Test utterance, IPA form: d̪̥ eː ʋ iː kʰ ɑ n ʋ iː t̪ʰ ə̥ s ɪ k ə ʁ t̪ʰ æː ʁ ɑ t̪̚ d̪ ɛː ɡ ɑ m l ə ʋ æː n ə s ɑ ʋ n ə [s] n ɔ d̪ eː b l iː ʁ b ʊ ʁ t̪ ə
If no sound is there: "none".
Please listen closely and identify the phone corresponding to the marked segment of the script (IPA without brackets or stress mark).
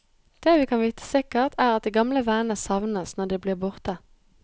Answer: s